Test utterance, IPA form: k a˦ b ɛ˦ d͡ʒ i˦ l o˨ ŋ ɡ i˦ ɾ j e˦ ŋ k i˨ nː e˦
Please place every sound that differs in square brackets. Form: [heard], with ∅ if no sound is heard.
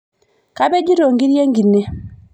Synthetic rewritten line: k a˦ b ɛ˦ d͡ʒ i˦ [ɾ] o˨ ŋ ɡ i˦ ɾ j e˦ ŋ [ɡ] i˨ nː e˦